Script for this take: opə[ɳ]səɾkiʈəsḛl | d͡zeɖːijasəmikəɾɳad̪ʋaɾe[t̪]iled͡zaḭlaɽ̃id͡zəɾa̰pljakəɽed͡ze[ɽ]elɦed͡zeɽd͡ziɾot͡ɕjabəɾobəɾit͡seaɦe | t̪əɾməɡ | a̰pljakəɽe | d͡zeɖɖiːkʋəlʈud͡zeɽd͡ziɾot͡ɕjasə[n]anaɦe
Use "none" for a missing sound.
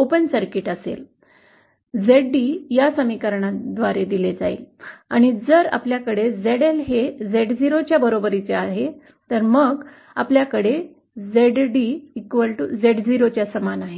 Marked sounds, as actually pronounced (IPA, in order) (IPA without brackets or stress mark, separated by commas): n, d̪, ɽ, m